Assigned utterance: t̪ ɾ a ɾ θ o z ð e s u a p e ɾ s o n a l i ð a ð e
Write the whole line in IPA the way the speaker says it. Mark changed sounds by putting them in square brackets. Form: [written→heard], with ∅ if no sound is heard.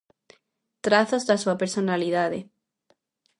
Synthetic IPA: t̪ ɾ a [ɾ→∅] θ o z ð [e→a] s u a p e ɾ s o n a l i ð a ð e